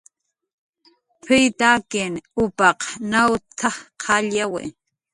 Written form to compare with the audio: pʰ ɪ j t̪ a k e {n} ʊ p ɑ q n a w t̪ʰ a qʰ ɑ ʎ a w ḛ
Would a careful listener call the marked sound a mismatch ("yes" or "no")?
no